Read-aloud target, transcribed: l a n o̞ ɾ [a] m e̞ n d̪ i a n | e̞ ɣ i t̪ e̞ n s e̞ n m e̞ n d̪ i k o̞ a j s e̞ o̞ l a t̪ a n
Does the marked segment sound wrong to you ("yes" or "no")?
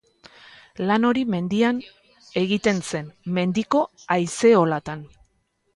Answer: yes